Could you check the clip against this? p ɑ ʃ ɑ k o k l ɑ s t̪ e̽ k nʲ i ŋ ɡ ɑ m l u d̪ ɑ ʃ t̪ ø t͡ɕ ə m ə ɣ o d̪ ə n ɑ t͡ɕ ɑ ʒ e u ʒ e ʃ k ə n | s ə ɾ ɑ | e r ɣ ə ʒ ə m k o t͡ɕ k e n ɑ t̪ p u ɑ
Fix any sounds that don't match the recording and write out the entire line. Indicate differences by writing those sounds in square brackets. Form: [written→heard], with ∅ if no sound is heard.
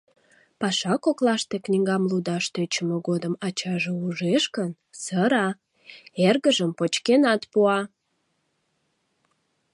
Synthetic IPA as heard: p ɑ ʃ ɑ k o k l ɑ [s→ʃ] t̪ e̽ k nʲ i ŋ ɡ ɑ m l u d̪ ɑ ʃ t̪ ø t͡ɕ ə m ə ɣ o d̪ ə [n→m] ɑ t͡ɕ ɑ ʒ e u ʒ e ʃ k ə n | s ə ɾ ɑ | e r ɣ ə ʒ ə m [k→p] o t͡ɕ k e n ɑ t̪ p u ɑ